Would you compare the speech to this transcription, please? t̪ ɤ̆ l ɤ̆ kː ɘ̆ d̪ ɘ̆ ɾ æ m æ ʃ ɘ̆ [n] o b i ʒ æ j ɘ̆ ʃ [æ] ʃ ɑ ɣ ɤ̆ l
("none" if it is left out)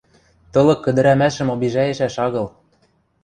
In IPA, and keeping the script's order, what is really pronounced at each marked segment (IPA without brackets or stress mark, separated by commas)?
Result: m, æ